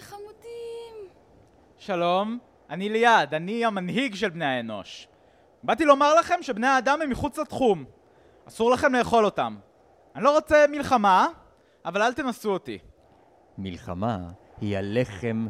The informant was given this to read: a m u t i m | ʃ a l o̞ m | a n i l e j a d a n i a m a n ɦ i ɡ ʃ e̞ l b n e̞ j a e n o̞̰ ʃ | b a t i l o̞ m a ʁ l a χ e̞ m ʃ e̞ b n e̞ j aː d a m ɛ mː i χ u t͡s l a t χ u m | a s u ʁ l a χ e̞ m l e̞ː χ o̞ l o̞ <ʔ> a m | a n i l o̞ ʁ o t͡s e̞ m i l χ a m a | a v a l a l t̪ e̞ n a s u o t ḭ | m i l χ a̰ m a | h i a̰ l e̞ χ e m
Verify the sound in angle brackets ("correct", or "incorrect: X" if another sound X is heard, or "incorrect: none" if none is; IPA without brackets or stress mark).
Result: incorrect: t